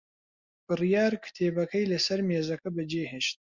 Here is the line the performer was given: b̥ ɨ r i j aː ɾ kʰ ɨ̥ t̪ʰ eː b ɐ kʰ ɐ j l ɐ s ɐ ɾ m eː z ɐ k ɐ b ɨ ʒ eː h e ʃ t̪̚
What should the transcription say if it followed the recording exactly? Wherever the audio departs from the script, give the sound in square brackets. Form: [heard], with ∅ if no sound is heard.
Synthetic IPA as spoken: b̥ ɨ r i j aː ɾ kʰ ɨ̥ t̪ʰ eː b ɐ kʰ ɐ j l ɐ s ɐ ɾ m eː z ɐ k ɐ b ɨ [d͡ʒ] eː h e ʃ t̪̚